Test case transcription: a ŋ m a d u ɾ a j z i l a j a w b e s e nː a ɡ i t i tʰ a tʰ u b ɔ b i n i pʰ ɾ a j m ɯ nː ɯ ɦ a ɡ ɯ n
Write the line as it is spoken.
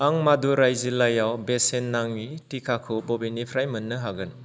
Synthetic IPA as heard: a ŋ m a d u ɾ a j z i l a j a w b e s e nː a ŋ i t i kʰ a kʰ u b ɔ b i n i pʰ ɾ a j m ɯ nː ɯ ɦ a ɡ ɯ n